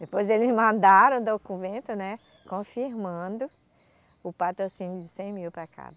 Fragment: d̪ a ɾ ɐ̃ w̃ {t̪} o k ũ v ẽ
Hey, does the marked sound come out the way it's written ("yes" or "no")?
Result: no